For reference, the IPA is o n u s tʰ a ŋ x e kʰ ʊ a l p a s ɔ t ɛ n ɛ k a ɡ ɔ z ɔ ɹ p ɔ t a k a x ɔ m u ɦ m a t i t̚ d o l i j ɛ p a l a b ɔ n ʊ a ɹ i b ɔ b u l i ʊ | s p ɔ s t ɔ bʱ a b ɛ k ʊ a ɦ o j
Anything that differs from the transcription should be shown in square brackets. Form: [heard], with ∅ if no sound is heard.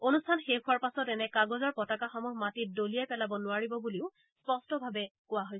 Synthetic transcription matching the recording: o n u s tʰ a [n] x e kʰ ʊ a [ɹ] p a s ɔ t ɛ n ɛ k a ɡ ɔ z ɔ ɹ p ɔ t a k a x ɔ m u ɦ m a t i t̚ d o l i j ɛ p [ɛ] l a b ɔ n ʊ a ɹ i b ɔ b u l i ʊ | s p ɔ s t ɔ bʱ a b ɛ k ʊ a ɦ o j